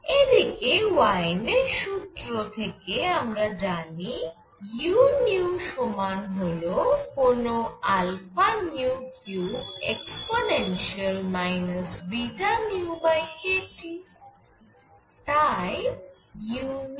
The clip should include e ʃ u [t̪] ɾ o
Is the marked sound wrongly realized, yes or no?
no